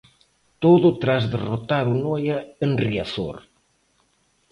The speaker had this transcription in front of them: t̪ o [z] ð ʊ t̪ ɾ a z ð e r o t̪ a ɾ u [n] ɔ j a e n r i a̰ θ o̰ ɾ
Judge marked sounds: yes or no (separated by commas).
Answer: no, yes